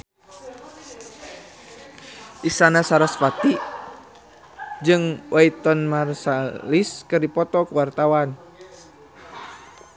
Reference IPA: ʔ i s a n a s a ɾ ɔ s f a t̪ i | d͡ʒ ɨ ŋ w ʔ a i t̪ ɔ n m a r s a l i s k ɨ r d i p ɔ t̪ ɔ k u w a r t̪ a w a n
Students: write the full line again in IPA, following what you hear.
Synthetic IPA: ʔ i s a n a s a ɾ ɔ s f a t̪ i | d͡ʒ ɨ ŋ w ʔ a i t̪ ɔ n m a r s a l i s k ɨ r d i p ɔ t̪ ɔ k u w a r t̪ a w a n